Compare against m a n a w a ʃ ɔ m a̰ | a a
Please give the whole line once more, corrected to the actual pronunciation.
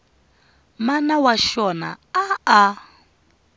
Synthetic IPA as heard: m a n a w a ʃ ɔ n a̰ | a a